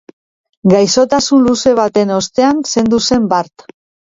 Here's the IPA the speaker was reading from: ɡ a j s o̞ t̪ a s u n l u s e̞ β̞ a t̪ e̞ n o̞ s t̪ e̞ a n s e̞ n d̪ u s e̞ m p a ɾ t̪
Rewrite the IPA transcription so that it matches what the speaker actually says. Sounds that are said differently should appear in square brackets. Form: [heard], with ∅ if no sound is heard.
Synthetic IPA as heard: ɡ a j s o̞ t̪ a s u n l u s e̞ β̞ a t̪ e̞ n o̞ s t̪ e̞ a n s e̞ n d̪ u s e̞ m [b] a ɾ t̪